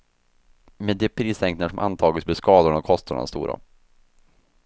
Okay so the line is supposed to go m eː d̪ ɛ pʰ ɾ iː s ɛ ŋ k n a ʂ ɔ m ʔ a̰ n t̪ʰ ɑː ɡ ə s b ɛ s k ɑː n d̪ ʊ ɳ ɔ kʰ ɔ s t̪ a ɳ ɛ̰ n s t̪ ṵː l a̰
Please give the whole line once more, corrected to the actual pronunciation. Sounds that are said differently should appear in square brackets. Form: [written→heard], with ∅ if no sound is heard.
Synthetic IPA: m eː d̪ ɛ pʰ ɾ iː s ɛ ŋ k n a ʂ ɔ m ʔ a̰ n t̪ʰ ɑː ɡ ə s b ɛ s k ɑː [n→∅] d̪ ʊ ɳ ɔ kʰ ɔ s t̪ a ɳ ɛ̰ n s t̪ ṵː [l→ɾ] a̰